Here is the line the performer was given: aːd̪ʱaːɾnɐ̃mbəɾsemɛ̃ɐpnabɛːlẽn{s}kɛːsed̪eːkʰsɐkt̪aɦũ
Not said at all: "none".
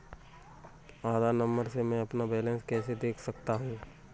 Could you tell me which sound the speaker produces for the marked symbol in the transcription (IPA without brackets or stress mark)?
s